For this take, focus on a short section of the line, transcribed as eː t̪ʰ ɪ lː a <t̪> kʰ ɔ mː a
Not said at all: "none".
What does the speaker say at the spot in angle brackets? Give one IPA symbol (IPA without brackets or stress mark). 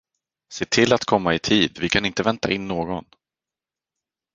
t̪